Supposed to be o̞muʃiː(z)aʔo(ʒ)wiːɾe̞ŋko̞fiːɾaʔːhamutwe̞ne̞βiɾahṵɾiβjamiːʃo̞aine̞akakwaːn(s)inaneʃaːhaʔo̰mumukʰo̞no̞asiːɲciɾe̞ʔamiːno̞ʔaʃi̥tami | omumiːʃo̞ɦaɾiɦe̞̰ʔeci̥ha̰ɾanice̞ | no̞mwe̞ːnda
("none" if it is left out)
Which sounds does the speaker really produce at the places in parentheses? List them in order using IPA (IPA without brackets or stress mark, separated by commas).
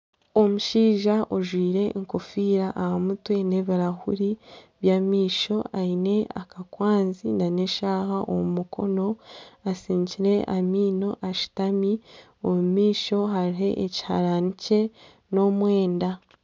ʒ, ʒ, z